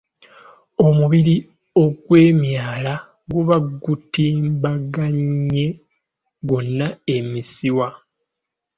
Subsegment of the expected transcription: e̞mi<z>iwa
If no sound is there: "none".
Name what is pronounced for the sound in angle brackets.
s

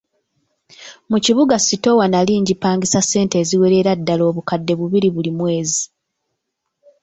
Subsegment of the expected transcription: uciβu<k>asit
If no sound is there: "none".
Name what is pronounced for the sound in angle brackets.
ɡ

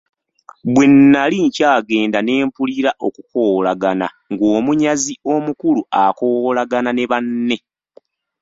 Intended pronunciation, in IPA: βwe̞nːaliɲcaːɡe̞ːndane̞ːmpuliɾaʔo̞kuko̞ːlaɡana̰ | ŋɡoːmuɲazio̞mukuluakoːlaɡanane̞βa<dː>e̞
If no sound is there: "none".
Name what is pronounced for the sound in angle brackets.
nː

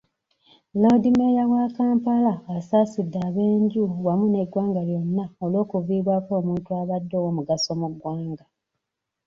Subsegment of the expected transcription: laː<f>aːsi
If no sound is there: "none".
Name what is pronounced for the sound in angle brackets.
s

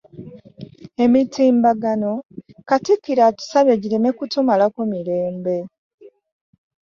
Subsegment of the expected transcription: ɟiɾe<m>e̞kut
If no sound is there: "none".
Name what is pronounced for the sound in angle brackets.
m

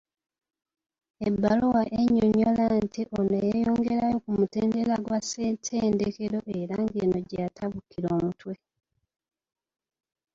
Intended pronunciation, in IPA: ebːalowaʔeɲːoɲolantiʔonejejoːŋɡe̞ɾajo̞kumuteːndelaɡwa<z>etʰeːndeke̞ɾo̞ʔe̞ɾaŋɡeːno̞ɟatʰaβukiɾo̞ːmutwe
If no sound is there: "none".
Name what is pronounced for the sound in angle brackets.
s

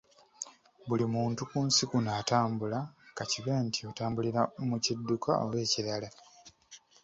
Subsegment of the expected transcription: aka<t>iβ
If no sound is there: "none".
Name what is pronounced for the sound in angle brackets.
c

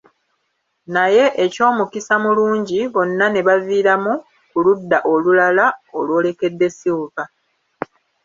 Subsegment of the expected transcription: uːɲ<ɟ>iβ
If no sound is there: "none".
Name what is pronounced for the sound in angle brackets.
ɟ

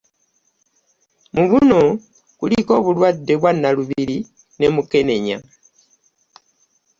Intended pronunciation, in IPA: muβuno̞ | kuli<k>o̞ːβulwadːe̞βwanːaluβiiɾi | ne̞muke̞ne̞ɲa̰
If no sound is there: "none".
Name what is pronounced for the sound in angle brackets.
k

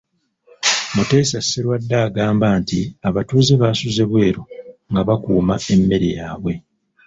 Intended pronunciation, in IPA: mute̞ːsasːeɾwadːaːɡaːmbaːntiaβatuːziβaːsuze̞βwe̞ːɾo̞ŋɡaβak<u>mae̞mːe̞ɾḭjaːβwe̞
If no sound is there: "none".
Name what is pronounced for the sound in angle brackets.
uː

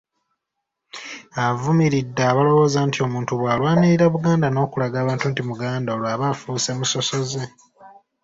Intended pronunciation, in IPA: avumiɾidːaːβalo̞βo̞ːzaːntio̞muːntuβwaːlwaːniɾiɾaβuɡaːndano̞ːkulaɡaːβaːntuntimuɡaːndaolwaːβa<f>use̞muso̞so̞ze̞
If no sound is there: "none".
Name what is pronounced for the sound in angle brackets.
f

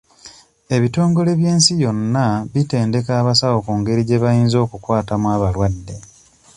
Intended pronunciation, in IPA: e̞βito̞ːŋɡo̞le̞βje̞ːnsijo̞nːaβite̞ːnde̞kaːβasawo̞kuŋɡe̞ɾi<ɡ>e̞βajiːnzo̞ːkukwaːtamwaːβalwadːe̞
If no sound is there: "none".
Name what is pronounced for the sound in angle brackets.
ɟ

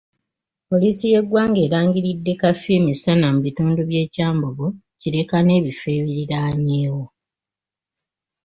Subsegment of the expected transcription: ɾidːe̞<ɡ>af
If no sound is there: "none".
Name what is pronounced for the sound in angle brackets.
k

